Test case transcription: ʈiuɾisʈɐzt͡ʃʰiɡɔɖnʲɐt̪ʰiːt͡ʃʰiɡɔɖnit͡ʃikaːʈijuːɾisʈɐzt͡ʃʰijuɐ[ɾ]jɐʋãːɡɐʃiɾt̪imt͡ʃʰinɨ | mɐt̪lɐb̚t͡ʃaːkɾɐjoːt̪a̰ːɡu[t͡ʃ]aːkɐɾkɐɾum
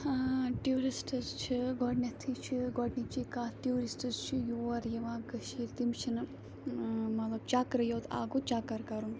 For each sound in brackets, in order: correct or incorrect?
correct, correct

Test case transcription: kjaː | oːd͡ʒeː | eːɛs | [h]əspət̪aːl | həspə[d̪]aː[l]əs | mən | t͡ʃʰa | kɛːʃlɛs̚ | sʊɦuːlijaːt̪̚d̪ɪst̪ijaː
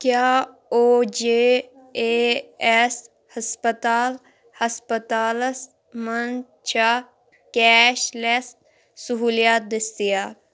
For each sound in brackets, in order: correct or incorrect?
correct, incorrect: t̪, correct

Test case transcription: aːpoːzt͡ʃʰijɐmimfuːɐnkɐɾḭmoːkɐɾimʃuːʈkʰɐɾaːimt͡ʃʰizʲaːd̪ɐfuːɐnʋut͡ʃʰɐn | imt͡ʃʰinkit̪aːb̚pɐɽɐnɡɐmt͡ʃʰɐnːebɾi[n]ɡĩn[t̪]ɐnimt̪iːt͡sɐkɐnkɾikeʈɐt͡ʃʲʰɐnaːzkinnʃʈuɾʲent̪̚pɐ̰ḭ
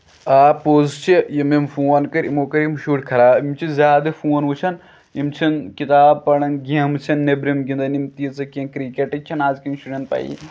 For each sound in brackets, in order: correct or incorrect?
incorrect: m, incorrect: d̪

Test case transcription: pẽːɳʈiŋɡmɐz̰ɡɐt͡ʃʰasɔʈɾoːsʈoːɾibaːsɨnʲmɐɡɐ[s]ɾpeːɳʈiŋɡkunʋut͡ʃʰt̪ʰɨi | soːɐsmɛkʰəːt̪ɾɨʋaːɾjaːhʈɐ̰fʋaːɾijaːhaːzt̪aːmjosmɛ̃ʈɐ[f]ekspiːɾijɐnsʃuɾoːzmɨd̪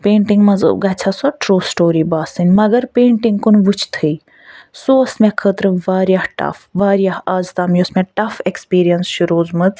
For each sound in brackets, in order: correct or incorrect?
incorrect: none, correct

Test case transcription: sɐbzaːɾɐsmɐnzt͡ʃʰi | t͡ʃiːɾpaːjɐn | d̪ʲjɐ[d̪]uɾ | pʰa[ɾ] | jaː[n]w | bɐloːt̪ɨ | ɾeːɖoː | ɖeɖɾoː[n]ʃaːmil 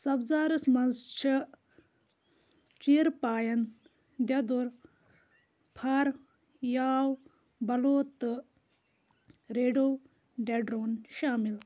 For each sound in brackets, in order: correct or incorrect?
correct, correct, incorrect: none, correct

